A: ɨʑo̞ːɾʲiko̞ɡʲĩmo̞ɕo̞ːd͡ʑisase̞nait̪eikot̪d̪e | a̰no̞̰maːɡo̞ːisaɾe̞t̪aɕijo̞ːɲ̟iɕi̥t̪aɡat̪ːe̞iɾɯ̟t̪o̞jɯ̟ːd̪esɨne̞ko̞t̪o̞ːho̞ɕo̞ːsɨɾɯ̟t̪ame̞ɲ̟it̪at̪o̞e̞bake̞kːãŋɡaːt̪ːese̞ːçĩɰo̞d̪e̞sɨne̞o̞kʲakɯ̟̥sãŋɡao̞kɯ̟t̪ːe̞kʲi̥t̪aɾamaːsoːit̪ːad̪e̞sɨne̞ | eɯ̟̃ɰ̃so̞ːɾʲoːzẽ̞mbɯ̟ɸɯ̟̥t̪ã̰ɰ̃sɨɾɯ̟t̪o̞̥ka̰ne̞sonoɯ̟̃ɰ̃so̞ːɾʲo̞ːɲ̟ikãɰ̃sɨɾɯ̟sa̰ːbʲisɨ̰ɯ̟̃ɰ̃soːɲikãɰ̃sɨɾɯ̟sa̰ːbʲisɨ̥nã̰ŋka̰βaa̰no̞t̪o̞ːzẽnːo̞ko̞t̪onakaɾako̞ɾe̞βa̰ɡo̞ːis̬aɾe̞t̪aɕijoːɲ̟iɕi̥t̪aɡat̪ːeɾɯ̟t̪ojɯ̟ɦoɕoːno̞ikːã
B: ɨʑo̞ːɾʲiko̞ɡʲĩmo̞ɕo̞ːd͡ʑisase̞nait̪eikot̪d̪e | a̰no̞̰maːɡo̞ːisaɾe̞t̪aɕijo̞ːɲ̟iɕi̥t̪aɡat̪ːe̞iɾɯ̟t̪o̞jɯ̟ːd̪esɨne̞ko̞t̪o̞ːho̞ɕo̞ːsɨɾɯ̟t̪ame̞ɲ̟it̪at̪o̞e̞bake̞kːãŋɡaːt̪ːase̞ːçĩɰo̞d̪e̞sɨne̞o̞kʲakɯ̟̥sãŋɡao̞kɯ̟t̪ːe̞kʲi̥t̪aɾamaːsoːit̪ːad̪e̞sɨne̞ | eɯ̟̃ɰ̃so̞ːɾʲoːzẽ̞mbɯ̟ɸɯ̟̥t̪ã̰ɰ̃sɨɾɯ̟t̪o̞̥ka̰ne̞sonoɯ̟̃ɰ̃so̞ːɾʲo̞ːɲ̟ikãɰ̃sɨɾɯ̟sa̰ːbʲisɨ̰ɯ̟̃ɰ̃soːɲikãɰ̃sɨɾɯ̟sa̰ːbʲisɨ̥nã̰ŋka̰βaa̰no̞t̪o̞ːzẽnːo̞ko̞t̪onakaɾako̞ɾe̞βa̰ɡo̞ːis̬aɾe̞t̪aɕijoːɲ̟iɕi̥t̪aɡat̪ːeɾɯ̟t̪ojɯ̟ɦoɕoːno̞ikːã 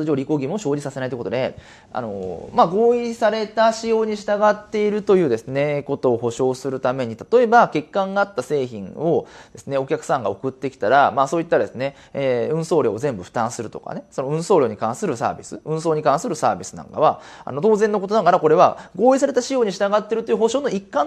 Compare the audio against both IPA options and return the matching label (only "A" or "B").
B